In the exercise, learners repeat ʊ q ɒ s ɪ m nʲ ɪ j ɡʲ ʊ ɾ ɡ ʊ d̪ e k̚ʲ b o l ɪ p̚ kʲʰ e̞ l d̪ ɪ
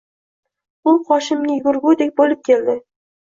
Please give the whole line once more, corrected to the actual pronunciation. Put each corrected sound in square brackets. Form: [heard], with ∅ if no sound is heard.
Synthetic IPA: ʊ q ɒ [ʃ] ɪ m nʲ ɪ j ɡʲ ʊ ɾ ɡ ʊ d̪ e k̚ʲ b o l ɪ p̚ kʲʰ e̞ l d̪ ɪ

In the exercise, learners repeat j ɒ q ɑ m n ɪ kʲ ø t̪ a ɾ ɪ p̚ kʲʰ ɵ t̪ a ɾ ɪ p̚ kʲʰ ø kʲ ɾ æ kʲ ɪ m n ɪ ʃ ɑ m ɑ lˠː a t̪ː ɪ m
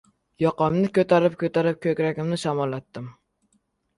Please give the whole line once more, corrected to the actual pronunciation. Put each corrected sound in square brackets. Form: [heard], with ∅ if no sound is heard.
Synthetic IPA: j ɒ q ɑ m n ɪ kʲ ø t̪ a ɾ ɪ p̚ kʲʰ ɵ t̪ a ɾ ɪ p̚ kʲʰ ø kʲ ɾ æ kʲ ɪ m n ɪ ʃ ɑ m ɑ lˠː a t̪ː ɪ m

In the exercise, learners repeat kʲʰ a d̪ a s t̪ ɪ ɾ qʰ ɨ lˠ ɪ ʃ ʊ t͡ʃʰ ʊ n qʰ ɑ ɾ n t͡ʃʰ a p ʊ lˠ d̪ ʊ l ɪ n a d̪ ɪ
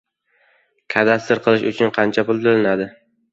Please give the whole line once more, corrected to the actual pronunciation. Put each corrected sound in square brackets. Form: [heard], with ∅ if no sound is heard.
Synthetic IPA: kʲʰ a d̪ a s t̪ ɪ ɾ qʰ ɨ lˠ ɪ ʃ ʊ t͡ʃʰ ʊ n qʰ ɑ [∅] n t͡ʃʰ a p ʊ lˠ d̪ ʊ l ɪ n a d̪ ɪ

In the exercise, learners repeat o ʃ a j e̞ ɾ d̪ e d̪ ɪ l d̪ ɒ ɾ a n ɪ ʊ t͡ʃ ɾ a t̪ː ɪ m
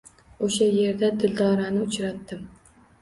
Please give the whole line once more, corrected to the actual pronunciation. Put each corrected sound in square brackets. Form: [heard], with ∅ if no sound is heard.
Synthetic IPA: o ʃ a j e̞ ɾ d̪ [a] d̪ ɪ l d̪ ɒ ɾ a n ɪ ʊ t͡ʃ ɾ a t̪ː ɪ m

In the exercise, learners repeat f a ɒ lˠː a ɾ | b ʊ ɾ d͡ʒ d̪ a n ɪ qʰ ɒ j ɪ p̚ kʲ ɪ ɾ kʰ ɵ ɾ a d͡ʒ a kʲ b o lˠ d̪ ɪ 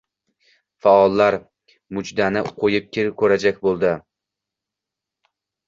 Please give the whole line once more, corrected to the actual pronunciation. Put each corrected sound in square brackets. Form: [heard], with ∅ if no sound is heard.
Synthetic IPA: f a ɒ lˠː a ɾ | [m] ʊ [∅] d͡ʒ d̪ a n ɪ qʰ [o] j ɪ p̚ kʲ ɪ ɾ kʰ ɵ ɾ a d͡ʒ a kʲ b o lˠ d̪ ɪ

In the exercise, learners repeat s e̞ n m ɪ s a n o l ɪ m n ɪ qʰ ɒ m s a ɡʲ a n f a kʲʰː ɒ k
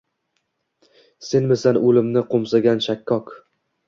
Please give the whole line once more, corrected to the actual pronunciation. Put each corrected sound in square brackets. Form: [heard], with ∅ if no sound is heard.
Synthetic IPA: s e̞ n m ɪ s a n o l ɪ m n ɪ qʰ [o] m s a ɡʲ a n [ʃ] a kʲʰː ɒ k

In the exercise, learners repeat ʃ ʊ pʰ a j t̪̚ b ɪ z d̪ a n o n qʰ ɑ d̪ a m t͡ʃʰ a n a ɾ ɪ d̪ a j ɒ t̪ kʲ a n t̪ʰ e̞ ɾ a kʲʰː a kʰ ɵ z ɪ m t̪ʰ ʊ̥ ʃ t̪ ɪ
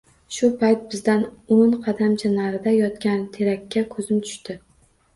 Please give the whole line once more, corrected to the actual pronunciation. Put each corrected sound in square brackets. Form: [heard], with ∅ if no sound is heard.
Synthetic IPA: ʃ ʊ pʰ a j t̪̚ b ɪ z d̪ a n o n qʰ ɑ d̪ a m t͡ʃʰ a n a ɾ ɪ d̪ a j ɒ t̪ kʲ a n t̪ʰ e̞ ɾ a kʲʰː a kʰ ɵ z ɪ m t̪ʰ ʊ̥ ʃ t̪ ɪ

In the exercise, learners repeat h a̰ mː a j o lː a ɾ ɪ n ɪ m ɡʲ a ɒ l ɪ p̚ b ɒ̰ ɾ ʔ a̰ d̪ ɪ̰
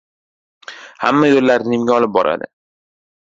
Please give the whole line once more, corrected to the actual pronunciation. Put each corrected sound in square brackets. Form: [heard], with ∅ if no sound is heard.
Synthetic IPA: h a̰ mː a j o lː a ɾ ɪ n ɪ m ɡʲ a ɒ l ɪ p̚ b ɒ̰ ɾ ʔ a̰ d̪ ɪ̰

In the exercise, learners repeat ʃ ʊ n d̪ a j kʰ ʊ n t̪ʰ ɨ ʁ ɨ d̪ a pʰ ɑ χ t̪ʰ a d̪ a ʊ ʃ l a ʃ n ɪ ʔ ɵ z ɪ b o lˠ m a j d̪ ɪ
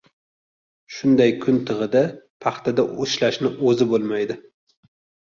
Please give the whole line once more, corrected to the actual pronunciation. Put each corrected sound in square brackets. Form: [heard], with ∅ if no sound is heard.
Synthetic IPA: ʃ ʊ n d̪ a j kʰ ʊ n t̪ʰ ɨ ʁ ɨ d̪ a pʰ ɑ χ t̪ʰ a d̪ a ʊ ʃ l a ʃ n ɪ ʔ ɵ z ɪ b o lˠ m a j d̪ ɪ

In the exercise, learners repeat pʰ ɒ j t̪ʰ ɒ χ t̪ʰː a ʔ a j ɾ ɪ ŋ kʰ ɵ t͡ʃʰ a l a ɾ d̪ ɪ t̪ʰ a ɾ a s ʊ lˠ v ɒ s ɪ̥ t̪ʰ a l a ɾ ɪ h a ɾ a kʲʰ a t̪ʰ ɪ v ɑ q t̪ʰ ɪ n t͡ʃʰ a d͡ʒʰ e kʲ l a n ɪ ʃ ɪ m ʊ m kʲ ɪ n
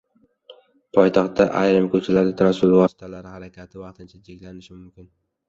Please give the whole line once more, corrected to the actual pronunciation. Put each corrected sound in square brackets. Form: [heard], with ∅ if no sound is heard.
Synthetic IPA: pʰ ɒ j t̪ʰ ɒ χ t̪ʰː a ʔ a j ɾ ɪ [m] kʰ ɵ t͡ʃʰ a l a ɾ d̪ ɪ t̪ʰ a ɾ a s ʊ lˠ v ɒ s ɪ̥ t̪ʰ a l a ɾ ɪ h a ɾ a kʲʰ a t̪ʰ ɪ v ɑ q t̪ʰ ɪ n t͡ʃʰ a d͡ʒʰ e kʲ l a n ɪ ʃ ɪ m ʊ m kʲ ɪ n

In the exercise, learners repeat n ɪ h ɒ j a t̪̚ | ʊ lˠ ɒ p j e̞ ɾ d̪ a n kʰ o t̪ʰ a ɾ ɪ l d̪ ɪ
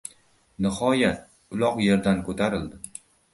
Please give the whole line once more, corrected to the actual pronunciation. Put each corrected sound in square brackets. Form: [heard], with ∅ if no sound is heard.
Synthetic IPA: n ɪ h ɒ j a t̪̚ | ʊ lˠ ɒ [q] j e̞ ɾ d̪ a n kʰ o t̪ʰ a ɾ ɪ l d̪ ɪ

